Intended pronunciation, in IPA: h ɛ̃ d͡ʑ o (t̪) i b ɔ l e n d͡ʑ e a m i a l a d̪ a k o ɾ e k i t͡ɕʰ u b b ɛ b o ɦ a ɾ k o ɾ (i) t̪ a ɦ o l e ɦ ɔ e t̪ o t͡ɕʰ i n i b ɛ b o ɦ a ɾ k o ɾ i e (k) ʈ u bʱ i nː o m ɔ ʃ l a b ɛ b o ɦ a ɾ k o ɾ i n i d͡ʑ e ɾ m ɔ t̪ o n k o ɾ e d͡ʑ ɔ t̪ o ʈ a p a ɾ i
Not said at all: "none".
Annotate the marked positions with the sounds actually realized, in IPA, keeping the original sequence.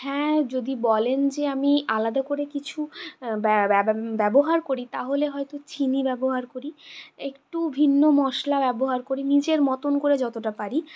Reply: d̪, i, k

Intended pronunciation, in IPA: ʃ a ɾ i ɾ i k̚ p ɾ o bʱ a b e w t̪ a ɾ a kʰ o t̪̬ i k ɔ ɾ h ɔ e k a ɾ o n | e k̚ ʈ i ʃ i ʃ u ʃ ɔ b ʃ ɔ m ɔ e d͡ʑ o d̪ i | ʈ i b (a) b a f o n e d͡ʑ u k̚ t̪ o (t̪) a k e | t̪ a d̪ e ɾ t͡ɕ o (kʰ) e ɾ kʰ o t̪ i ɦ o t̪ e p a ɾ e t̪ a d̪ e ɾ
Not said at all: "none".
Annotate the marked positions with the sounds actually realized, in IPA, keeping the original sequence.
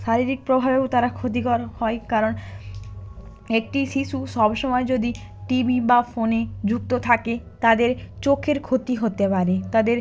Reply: i, t̪ʰ, kʰ

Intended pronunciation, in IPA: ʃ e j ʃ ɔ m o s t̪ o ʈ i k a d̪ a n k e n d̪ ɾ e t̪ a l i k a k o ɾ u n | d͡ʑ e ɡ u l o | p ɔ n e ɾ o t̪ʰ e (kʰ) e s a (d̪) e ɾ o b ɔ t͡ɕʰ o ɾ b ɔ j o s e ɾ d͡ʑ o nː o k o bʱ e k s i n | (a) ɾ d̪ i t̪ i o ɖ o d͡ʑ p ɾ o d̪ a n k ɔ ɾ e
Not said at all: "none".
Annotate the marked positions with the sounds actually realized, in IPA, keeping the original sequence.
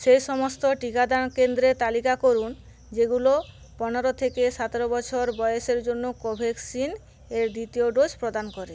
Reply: k, t̪, e

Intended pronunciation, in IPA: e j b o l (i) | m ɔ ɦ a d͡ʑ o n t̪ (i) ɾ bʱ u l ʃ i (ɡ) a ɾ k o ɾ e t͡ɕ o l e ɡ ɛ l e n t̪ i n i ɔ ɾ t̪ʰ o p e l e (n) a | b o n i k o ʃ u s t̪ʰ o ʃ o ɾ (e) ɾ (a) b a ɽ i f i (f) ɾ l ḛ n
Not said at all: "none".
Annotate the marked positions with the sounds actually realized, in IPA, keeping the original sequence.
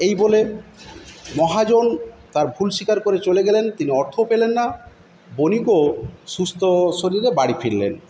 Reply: e, a, k, nː, i, e, none

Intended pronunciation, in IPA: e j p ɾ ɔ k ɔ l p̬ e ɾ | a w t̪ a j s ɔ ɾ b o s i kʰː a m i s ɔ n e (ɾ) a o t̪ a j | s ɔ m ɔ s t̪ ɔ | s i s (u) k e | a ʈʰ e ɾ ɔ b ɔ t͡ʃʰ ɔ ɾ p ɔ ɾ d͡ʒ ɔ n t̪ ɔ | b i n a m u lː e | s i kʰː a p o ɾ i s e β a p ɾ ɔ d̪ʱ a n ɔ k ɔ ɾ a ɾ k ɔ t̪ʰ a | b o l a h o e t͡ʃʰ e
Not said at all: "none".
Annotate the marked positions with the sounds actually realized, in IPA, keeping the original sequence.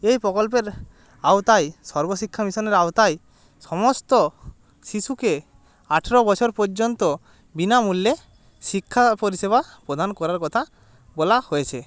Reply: ɾ, u

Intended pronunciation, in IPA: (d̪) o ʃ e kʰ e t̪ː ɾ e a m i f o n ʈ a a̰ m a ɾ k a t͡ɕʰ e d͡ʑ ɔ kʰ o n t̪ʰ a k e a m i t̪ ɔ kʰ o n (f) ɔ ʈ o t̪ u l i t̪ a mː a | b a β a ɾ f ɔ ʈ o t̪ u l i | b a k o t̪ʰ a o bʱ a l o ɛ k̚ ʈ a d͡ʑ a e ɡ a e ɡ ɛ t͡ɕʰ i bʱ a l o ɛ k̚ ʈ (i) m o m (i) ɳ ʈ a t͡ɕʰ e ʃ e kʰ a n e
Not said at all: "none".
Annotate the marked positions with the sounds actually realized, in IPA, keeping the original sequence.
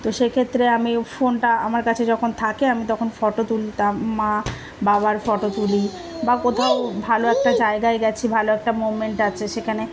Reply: t̪, f, a, e

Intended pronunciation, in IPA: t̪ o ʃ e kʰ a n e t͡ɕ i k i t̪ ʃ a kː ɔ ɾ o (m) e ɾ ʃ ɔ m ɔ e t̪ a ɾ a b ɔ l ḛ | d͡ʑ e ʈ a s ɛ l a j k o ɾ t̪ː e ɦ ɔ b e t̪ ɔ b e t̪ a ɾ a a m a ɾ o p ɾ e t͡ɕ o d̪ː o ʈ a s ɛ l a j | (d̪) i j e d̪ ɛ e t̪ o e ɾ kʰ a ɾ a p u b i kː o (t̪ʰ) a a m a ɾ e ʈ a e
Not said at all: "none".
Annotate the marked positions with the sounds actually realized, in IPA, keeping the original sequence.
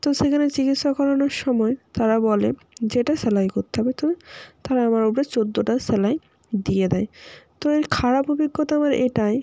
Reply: n, d̪, t̪

